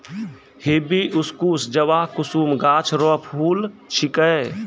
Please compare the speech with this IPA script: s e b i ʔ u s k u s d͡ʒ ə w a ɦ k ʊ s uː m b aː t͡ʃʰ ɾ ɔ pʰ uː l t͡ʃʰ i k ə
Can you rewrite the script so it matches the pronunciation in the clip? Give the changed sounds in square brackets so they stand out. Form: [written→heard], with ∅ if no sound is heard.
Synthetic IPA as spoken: [s→h] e b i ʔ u s k u s d͡ʒ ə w a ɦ k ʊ s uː m [b→ɡ] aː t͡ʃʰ ɾ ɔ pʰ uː l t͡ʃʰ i k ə